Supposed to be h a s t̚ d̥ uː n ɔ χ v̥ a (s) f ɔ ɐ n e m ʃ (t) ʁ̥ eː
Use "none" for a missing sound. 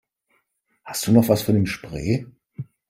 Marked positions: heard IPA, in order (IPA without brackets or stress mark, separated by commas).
s, p